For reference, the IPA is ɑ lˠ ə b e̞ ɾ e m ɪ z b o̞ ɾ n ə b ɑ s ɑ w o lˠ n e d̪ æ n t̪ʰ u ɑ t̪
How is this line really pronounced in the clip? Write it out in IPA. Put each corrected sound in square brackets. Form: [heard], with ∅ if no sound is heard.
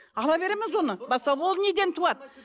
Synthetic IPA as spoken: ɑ lˠ [ɑ] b e̞ ɾ e m ɪ z [w] o̞ [∅] n ə b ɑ s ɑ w o lˠ n e d̪ [e] n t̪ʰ u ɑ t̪